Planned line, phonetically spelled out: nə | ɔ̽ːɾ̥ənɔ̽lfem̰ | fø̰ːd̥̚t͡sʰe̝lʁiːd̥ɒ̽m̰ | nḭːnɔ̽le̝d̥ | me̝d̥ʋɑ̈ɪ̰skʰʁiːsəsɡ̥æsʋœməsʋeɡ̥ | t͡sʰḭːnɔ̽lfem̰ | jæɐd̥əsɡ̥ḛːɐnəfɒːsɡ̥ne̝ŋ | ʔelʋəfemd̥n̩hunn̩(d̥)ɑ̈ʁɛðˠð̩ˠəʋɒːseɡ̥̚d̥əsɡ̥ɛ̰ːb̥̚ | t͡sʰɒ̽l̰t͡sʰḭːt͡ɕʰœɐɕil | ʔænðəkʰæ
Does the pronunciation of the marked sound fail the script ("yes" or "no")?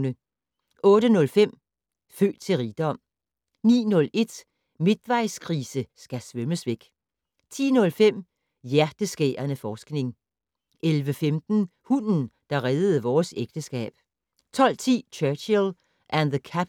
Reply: no